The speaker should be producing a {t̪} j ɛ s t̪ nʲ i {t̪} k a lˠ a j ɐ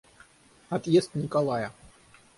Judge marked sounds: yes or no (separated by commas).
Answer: yes, no